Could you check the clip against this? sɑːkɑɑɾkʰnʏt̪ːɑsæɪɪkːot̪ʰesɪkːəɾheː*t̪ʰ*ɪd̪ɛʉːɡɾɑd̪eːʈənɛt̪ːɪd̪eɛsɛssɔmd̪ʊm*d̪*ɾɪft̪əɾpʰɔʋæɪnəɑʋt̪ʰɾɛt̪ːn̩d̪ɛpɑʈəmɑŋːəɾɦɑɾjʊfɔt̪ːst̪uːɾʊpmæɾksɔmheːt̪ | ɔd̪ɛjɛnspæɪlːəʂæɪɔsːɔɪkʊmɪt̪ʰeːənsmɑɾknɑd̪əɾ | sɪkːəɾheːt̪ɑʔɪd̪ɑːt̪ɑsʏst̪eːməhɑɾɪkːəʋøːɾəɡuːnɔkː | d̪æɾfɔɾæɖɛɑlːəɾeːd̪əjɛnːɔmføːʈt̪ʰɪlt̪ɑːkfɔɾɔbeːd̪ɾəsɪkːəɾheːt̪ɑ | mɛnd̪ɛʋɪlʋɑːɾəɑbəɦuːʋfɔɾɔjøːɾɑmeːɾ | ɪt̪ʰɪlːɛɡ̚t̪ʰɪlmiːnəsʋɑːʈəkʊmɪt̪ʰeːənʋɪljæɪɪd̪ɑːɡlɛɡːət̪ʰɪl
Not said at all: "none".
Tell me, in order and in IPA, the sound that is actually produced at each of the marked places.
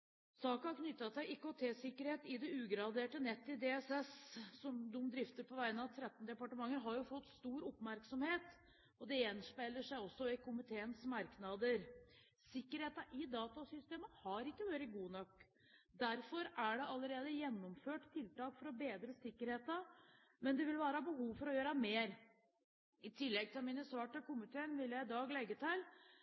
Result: t̪, d̪

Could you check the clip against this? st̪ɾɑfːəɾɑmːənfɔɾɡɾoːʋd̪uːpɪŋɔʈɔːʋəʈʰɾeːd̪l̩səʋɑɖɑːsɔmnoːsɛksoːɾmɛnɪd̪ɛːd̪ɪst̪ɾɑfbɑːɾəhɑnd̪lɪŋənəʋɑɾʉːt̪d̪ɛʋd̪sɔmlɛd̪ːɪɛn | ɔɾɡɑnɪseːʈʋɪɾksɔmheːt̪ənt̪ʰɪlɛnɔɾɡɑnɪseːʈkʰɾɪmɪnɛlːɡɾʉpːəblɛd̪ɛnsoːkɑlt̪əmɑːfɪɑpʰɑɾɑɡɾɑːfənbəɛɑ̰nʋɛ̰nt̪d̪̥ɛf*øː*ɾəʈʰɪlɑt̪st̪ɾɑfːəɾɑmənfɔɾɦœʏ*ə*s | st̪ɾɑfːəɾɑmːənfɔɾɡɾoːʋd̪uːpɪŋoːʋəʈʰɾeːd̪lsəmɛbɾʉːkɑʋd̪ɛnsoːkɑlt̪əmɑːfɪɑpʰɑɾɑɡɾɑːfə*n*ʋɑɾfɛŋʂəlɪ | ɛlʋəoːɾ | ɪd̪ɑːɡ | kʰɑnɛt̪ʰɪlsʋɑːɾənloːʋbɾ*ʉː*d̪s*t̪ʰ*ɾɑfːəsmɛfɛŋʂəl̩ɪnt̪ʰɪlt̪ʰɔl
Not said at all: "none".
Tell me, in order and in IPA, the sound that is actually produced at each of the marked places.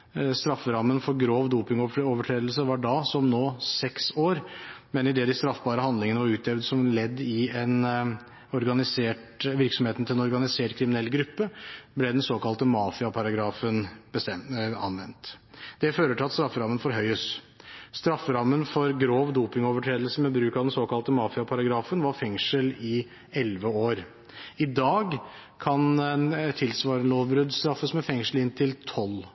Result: øː, ə, n, ʉ, t̪

